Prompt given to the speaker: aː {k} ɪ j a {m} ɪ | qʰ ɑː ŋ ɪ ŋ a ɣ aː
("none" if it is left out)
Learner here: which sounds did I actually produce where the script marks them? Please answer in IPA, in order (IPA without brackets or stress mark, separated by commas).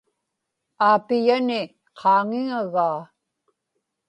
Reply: p, n